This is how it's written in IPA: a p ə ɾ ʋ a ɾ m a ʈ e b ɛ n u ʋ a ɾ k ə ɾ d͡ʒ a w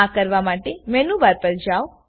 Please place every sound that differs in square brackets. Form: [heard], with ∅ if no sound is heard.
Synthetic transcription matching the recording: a [k] ə ɾ ʋ a [∅] m a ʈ e [m] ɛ n u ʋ a ɾ [p] ə ɾ d͡ʒ a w